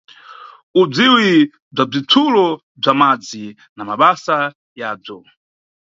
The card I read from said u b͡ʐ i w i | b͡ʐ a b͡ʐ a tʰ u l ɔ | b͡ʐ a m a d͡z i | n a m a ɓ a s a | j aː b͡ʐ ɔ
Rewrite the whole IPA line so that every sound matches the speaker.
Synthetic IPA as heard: u b͡ʐ i w i | b͡ʐ a b͡ʐ i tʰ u l ɔ | b͡ʐ a m a d͡z i | n a m a ɓ a s a | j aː b͡ʐ ɔ